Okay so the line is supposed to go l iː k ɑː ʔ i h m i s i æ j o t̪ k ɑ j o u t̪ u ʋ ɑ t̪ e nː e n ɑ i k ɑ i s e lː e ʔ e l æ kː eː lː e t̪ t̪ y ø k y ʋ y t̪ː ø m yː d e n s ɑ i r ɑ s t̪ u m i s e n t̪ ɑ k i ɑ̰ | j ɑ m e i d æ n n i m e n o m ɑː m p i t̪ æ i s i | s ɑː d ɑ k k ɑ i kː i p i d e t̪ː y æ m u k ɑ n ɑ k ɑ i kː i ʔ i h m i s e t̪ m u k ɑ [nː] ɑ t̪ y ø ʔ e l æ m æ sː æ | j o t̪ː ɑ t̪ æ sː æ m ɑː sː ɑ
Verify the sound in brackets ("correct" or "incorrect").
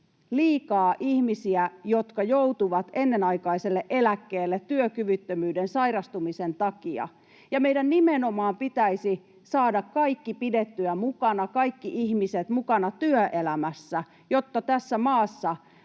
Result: incorrect